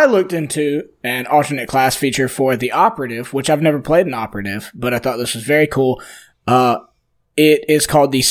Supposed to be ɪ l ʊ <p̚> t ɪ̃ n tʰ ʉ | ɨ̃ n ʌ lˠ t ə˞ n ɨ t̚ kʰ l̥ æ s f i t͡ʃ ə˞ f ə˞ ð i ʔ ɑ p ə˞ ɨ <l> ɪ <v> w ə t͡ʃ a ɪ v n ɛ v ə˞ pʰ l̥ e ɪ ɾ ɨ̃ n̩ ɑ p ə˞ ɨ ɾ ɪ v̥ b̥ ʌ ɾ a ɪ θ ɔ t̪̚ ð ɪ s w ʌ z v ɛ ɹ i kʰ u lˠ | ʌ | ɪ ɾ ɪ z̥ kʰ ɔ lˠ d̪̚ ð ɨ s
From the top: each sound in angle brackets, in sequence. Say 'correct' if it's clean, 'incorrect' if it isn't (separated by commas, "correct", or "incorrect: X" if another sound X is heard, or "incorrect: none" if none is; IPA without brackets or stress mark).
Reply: incorrect: k̚, incorrect: ɾ, correct